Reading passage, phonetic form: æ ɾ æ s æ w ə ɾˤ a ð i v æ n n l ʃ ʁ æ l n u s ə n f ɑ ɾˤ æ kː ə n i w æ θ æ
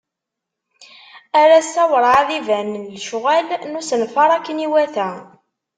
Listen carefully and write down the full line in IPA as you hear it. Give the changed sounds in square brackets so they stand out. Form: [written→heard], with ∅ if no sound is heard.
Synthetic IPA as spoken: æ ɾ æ s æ w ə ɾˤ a ð i v æ n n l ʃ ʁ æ l n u s ə n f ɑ ɾˤ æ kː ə n i w æ θ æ